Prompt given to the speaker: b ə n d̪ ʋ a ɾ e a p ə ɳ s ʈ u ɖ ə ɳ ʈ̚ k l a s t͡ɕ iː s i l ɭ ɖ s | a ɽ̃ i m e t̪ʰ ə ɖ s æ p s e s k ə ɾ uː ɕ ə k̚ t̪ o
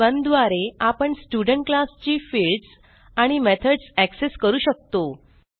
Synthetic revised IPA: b ə n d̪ ʋ a ɾ e a p ə ɳ s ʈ u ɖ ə ɳ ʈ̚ k l a s t͡ɕ iː f i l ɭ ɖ s | a ɽ̃ i m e t̪ʰ ə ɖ s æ k s e s k ə ɾ uː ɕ ə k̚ t̪ o